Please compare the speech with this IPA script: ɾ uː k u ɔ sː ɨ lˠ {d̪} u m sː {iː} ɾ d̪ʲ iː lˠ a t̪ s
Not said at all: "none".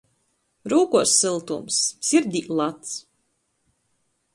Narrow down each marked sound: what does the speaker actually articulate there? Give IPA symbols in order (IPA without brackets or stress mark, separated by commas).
t̪, i